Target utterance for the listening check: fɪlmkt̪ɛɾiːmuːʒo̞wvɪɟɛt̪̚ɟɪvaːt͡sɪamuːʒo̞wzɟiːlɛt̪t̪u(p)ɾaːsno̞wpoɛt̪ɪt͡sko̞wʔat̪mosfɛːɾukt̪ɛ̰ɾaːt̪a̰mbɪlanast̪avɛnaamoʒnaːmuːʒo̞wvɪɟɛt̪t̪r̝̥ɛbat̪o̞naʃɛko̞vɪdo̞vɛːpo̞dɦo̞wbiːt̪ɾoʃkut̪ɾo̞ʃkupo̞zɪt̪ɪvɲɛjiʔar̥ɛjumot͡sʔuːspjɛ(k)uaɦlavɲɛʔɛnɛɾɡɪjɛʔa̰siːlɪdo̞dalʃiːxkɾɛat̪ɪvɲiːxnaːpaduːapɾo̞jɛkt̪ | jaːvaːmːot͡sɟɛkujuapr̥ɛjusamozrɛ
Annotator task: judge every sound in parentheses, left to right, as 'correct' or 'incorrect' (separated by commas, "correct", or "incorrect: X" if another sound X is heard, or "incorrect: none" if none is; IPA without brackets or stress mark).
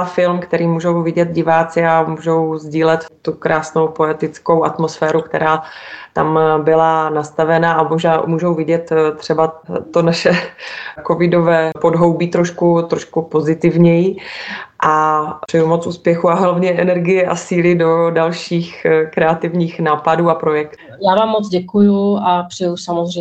incorrect: k, incorrect: x